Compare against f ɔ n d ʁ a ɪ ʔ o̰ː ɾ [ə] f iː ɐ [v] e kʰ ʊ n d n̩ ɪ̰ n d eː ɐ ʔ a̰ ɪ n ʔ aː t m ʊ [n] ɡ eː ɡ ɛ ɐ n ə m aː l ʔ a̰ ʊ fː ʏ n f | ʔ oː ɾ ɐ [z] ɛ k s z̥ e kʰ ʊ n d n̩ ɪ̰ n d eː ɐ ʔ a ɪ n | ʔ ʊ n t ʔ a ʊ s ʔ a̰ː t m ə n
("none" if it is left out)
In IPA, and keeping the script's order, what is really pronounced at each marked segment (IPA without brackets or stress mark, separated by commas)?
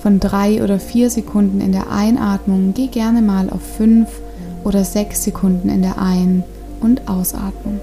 ɐ, z, ŋ, z